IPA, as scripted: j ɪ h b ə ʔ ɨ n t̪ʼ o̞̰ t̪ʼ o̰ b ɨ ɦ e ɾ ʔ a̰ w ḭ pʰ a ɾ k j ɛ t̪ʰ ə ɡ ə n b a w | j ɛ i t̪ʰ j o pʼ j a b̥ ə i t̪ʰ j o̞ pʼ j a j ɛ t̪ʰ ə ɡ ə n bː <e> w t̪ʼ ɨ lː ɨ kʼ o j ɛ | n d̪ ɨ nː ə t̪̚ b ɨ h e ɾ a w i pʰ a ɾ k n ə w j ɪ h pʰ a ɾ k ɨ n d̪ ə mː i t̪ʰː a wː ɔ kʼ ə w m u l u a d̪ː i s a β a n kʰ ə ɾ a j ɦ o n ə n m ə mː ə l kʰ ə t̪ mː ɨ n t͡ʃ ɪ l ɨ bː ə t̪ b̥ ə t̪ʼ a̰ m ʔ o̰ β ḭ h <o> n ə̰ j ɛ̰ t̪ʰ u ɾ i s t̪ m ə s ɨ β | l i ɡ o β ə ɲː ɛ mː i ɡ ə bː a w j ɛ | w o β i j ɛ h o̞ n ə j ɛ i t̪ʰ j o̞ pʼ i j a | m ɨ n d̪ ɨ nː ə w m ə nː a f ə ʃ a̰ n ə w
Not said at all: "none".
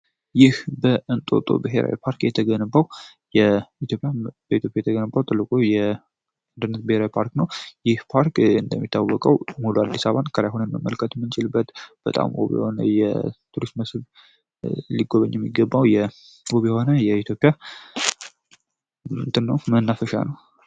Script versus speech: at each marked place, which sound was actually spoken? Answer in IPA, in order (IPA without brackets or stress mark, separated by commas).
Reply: a, o